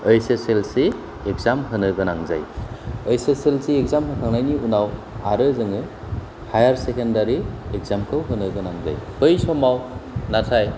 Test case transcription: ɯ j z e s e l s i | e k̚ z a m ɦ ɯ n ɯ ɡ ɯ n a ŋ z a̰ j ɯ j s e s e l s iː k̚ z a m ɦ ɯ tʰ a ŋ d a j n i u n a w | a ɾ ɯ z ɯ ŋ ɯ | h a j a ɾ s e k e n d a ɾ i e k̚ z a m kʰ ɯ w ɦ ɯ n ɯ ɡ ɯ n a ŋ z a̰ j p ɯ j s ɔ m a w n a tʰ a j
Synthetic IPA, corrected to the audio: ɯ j s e s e l s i | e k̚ z a m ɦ ɯ n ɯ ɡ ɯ n a ŋ z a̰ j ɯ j s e s e l s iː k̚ z a m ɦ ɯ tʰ a ŋ n a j n i u n a w | a ɾ ɯ z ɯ ŋ ɯ | h a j a ɾ s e k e n d a ɾ i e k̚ z a m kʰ ɯ w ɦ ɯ n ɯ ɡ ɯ n a ŋ z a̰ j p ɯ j s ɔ m a w n a tʰ a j